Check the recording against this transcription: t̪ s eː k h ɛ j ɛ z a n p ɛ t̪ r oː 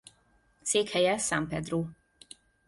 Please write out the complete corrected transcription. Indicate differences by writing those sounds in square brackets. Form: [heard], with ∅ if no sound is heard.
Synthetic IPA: t̪ s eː k h ɛ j ɛ [s] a [m] p ɛ [d̪] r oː

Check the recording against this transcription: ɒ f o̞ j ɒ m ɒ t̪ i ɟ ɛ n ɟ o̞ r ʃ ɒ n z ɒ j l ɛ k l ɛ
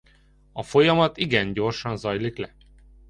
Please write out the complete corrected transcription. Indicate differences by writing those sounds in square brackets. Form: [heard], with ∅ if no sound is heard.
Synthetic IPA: ɒ f o̞ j ɒ m ɒ t̪ i [ɡ] ɛ n ɟ o̞ r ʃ ɒ n z ɒ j l [i] k l ɛ

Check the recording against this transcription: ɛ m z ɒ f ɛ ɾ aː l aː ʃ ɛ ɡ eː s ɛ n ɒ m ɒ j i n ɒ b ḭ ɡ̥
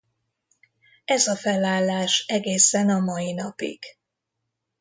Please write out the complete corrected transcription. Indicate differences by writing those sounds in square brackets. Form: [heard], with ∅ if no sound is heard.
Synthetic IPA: ɛ [∅] z ɒ f ɛ [l] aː [lː] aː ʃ ɛ ɡ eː s ɛ n ɒ m ɒ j i n ɒ [p] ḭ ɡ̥

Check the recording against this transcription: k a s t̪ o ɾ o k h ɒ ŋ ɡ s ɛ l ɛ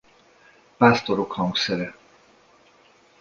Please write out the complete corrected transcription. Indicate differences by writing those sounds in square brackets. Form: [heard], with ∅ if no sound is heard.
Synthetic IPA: [p] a s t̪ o ɾ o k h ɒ ŋ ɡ s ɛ [ɾ] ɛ

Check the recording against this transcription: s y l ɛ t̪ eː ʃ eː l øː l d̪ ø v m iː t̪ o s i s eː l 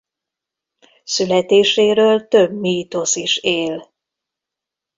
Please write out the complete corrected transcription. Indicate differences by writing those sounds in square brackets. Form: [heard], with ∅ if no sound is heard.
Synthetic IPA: s y l ɛ t̪ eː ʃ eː [ɾ] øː l [t̪] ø [b] m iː t̪ o s i [ʃ] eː l

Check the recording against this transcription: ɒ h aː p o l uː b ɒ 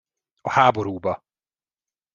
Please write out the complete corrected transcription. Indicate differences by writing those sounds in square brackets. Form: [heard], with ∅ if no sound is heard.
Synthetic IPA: ɒ h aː [b] o [ɾ] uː b ɒ

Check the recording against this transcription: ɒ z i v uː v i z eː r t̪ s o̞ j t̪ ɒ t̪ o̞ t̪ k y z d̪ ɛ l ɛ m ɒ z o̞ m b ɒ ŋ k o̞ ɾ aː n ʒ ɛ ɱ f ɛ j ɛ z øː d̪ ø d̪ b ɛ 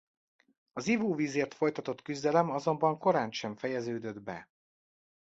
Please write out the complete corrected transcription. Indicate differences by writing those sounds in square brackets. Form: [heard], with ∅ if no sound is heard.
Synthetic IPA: ɒ z i v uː v [iː] z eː r t̪ [f] o̞ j t̪ ɒ t̪ o̞ t̪ k y z d̪ ɛ l ɛ m ɒ z o̞ m b ɒ ŋ k o̞ ɾ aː n [ʃ] ɛ ɱ f ɛ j ɛ z øː d̪ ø d̪ b ɛ

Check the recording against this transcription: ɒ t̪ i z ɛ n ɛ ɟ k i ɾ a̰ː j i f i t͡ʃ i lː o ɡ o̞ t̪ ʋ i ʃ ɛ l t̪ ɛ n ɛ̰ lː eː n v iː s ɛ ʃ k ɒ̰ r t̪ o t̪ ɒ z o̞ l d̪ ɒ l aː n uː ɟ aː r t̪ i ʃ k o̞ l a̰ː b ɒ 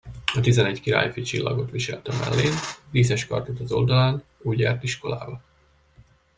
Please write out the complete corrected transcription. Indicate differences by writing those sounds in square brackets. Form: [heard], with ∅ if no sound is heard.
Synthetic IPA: ɒ t̪ i z ɛ n ɛ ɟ k i ɾ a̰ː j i f i t͡ʃ i lː [ɒ] ɡ o̞ t̪ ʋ i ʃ ɛ l t̪ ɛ [m] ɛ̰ lː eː n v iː s ɛ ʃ k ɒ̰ r t̪ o t̪ ɒ z o̞ l d̪ ɒ l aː n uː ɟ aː r t̪ i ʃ k o̞ l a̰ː b ɒ

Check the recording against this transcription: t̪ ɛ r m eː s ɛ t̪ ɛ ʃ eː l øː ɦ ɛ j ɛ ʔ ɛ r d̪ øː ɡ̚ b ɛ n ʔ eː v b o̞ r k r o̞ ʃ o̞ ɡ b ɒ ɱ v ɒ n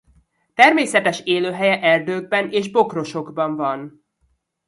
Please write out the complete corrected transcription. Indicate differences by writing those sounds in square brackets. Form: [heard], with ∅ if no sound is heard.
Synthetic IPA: t̪ ɛ r m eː s ɛ t̪ ɛ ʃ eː l øː ɦ ɛ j ɛ ʔ ɛ r d̪ øː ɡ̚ b ɛ n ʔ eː [ʒ] b o̞ [∅] k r o̞ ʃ o̞ ɡ b ɒ ɱ v ɒ n

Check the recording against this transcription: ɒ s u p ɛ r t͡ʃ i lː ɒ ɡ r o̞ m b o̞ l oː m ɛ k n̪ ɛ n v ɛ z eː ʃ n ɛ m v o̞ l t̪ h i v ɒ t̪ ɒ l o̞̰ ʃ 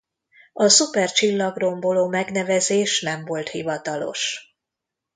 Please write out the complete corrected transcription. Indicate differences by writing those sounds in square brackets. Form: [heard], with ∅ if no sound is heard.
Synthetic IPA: ɒ s u p ɛ r t͡ʃ i lː ɒ ɡ r o̞ m b o̞ l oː m ɛ [ɡ] n̪ ɛ [∅] v ɛ z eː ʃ n ɛ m v o̞ l t̪ h i v ɒ t̪ ɒ l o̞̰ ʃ

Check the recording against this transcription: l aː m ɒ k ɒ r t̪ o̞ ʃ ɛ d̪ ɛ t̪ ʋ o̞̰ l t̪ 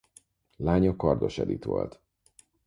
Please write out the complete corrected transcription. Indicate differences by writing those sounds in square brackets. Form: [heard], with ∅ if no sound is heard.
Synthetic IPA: l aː [ɲ] ɒ k ɒ r [d̪] o̞ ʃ ɛ d̪ [i] t̪ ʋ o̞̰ l t̪

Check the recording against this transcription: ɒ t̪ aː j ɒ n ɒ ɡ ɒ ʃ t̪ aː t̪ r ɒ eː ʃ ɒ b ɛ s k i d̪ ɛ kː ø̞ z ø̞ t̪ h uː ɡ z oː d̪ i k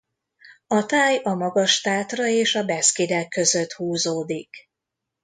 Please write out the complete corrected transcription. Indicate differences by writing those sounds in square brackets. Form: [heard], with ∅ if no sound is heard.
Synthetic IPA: ɒ t̪ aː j ɒ [m] ɒ ɡ ɒ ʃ t̪ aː t̪ r ɒ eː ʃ ɒ b ɛ s k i d̪ ɛ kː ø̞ z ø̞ t̪ h uː [∅] z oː d̪ i k

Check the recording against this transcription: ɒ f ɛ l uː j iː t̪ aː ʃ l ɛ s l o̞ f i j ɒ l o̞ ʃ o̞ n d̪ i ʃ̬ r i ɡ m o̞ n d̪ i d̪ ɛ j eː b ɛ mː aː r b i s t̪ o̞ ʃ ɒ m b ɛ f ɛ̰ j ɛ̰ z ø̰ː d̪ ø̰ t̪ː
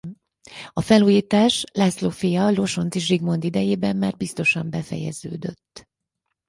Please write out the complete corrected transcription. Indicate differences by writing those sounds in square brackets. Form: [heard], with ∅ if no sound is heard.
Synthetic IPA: ɒ f ɛ l uː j iː t̪ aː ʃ l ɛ s l o̞ f i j ɒ l o̞ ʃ o̞ n [t̪] i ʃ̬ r i ɡ m o̞ n d̪ i d̪ ɛ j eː b ɛ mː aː r b i s t̪ o̞ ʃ ɒ m b ɛ f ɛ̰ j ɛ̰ z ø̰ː d̪ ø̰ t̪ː

